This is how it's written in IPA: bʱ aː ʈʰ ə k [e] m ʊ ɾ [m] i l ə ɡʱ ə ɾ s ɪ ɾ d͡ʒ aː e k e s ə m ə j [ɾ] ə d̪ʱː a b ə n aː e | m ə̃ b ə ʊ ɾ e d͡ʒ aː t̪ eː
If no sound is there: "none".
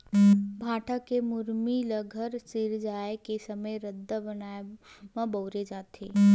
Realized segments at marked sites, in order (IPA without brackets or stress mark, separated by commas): e, m, ɾ